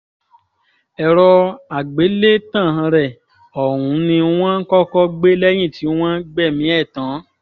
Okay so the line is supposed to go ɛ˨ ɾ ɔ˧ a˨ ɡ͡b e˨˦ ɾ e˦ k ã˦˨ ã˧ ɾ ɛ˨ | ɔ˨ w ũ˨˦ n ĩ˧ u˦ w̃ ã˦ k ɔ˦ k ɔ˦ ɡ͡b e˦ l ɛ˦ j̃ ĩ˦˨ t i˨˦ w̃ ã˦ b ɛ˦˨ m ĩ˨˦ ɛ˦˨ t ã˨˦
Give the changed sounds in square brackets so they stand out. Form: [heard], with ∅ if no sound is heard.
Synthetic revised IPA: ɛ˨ ɾ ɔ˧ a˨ ɡ͡b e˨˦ [l] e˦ [t] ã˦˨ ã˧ ɾ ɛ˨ | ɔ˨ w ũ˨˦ n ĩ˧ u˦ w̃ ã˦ k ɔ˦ k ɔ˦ ɡ͡b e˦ l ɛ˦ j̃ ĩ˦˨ t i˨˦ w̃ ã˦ [ɡ͡b] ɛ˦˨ m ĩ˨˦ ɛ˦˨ t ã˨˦